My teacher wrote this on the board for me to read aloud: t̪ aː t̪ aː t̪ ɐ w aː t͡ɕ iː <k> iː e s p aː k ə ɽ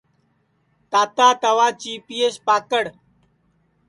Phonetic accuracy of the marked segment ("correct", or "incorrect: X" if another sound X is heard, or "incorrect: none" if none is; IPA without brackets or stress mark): incorrect: p